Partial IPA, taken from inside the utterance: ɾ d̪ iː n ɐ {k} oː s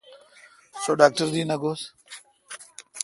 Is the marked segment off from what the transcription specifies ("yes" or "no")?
yes